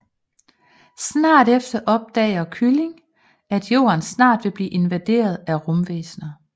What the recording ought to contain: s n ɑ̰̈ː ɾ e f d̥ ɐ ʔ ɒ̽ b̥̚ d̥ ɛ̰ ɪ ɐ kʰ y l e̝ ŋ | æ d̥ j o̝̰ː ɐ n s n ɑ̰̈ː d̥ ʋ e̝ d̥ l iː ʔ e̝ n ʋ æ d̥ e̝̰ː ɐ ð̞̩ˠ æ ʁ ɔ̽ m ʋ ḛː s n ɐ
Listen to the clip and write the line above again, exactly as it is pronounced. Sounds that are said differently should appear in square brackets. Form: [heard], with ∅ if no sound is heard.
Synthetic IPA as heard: s n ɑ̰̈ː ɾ e f d̥ ɐ ʔ ɒ̽ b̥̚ d̥ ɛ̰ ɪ ɐ kʰ y l e̝ ŋ | æ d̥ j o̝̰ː ɐ n s n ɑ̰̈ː d̥ ʋ e̝ [b̥] l iː ʔ e̝ n ʋ æ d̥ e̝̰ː ɐ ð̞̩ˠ æ ʁ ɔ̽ m ʋ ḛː s n ɐ